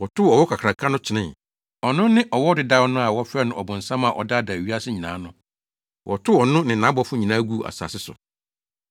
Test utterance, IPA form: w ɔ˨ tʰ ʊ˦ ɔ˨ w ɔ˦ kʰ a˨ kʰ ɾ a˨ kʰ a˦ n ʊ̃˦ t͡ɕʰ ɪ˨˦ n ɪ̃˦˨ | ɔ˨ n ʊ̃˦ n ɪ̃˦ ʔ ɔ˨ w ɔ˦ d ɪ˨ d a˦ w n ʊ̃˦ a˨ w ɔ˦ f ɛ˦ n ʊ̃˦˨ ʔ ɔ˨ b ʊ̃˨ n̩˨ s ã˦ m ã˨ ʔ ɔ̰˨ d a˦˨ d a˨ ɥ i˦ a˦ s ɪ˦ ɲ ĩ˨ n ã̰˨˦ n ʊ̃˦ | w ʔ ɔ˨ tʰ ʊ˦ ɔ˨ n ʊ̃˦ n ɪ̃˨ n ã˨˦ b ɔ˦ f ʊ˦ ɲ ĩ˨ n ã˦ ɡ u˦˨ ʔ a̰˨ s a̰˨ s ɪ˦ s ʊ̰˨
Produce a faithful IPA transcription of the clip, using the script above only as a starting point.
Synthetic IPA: w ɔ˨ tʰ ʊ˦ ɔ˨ w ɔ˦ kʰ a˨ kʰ ɾ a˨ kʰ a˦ n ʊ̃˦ t͡ɕʰ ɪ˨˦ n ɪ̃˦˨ | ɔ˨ n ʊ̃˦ n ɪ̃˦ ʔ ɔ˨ w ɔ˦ d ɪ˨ d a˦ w n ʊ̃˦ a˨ w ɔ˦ f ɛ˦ n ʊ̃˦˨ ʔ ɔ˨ b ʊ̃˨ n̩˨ s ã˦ m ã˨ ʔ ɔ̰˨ d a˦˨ d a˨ ɥ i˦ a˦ s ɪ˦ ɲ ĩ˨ n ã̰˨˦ n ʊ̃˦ | w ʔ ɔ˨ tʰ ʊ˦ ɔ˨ n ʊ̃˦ n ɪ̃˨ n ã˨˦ b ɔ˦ f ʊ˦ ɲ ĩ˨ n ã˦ ɡ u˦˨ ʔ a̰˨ s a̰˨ s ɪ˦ s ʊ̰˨